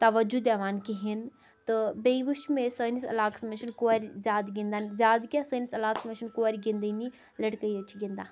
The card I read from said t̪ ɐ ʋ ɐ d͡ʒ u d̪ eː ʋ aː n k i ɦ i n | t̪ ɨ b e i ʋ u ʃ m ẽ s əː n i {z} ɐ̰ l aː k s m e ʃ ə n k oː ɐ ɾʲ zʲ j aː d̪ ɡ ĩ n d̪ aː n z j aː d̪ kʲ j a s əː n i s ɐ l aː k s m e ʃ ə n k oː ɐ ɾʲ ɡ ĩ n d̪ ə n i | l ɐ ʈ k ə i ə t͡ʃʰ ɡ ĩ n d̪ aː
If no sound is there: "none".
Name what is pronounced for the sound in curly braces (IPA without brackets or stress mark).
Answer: s